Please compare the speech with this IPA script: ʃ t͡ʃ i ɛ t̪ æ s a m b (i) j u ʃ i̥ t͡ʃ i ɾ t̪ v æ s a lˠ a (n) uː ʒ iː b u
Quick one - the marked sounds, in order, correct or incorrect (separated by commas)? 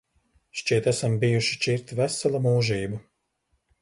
correct, incorrect